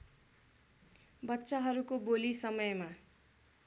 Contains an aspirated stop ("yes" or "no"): no